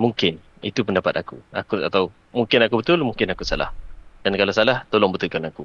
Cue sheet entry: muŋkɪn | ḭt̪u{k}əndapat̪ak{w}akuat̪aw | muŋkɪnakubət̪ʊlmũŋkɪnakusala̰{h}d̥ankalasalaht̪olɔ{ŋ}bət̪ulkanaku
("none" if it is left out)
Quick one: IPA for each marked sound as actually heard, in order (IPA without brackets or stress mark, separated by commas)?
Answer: p, u, h, ŋ